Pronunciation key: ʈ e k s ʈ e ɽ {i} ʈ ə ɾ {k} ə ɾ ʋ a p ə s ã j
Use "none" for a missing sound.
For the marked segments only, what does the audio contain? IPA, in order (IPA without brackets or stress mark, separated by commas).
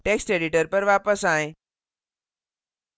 i, p